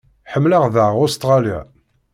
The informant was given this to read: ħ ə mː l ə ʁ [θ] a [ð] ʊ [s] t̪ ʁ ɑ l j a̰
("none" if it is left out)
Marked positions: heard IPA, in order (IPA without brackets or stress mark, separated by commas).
ð, ʁ, s